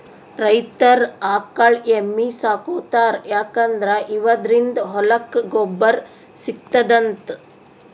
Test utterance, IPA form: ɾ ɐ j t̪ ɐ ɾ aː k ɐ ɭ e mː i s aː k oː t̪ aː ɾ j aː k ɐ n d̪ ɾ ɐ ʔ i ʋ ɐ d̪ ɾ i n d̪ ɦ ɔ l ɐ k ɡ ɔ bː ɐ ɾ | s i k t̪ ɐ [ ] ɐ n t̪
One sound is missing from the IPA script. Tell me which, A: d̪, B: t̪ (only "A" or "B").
A